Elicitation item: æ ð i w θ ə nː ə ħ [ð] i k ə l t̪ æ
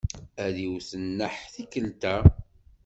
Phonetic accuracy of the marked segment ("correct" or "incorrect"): incorrect